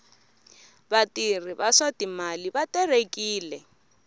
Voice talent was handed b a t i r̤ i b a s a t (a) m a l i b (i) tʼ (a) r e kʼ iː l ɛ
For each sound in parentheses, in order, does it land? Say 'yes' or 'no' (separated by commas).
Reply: no, no, no